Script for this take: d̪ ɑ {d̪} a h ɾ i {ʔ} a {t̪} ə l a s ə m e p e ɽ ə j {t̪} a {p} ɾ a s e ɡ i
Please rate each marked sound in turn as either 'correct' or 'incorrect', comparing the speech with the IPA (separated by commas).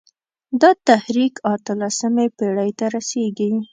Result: incorrect, incorrect, correct, correct, incorrect